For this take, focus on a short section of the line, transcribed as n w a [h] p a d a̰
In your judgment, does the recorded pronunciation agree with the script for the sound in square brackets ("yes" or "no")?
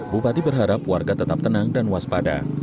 no